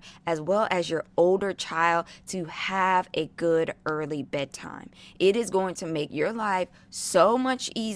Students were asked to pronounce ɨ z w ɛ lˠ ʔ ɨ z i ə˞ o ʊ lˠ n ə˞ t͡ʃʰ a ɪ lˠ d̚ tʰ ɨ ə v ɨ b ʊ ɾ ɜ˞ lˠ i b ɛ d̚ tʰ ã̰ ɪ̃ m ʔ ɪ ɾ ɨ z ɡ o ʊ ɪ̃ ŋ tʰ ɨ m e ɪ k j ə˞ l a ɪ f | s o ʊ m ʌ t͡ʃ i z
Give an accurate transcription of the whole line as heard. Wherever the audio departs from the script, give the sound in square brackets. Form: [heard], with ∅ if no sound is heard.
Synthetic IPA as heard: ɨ z w ɛ lˠ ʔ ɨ z [j] ə˞ o ʊ lˠ [d] ə˞ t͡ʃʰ a ɪ lˠ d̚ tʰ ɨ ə v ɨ [ɡ] ʊ ɾ ɜ˞ lˠ i b ɛ d̚ tʰ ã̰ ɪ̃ m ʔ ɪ ɾ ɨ z ɡ o ʊ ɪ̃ ŋ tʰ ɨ m e ɪ k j ə˞ l a ɪ f | s o ʊ m ʌ t͡ʃ i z